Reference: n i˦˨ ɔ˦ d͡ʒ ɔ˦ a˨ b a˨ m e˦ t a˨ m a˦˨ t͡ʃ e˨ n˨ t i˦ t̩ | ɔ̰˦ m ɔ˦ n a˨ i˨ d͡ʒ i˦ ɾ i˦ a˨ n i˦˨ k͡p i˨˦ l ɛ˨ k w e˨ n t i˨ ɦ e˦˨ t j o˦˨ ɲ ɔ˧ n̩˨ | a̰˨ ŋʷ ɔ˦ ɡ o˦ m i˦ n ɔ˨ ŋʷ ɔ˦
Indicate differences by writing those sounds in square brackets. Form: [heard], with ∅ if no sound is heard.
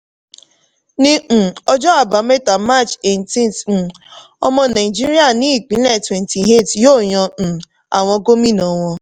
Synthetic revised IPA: n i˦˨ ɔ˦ d͡ʒ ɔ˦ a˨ b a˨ m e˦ t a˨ m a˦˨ t͡ʃ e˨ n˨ t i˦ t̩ | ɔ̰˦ m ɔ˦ n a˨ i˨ d͡ʒ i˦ ɾ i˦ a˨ n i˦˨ k͡p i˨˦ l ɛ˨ [t] w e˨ n t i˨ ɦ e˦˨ t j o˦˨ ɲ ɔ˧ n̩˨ | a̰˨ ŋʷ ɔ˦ ɡ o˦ m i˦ n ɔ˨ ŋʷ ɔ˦